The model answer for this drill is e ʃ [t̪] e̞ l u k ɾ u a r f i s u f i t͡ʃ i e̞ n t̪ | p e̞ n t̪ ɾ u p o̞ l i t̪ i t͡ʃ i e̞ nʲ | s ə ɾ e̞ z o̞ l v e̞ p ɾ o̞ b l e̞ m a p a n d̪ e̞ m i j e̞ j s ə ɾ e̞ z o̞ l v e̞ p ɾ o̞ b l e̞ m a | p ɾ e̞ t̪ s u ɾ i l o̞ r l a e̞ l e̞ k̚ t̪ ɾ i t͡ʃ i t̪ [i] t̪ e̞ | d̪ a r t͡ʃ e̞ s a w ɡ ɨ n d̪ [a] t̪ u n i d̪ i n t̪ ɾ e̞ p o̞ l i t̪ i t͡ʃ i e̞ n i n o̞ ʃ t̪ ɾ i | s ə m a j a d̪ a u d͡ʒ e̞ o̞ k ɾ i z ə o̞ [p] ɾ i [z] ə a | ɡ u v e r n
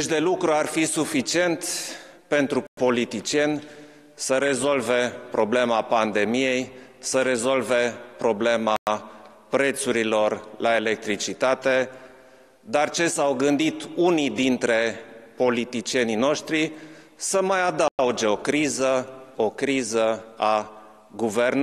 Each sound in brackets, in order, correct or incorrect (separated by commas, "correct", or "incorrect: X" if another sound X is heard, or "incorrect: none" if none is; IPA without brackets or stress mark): incorrect: d̪, incorrect: a, incorrect: i, incorrect: k, correct